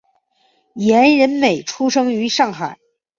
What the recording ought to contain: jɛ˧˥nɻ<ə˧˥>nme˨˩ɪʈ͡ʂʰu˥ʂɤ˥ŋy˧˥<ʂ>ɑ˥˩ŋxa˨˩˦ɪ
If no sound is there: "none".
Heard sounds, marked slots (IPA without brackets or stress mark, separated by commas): ə˧˥, ʂ